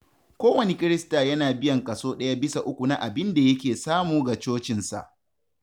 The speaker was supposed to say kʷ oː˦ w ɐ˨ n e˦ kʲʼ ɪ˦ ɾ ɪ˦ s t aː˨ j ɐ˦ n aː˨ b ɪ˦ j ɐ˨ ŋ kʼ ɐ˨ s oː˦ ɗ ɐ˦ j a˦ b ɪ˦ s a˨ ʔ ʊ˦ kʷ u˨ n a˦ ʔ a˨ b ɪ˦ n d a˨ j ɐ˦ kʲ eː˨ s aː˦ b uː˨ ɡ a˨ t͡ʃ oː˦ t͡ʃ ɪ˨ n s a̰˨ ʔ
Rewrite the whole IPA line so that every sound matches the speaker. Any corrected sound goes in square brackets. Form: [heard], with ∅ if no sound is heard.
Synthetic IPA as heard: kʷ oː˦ w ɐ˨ n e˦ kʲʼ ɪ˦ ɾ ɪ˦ s t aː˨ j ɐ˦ n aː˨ b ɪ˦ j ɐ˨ ŋ kʼ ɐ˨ s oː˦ ɗ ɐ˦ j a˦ b ɪ˦ s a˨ ʔ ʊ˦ kʷ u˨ n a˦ ʔ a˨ b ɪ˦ n d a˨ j ɐ˦ kʲ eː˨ s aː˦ [m] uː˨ ɡ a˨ t͡ʃ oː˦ t͡ʃ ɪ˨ n s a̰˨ ʔ